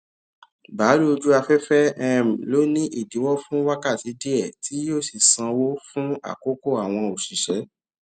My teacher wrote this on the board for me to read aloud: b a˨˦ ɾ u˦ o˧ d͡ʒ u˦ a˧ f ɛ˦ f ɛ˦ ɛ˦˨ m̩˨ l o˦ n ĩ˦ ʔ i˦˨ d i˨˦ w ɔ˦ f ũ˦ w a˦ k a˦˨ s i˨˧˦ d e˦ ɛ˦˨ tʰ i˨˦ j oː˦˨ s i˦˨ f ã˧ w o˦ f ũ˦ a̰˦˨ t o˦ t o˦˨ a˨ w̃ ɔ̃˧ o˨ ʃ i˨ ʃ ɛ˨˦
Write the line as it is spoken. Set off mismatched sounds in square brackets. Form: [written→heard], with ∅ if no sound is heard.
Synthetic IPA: b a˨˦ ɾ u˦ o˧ d͡ʒ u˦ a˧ f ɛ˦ f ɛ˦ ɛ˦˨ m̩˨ l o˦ n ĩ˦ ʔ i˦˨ d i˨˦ w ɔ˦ f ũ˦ w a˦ k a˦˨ [s→t] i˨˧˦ d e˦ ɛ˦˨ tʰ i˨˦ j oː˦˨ s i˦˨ [f→s] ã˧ w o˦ f ũ˦ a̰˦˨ [t→k] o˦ [t→k] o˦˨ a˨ w̃ ɔ̃˧ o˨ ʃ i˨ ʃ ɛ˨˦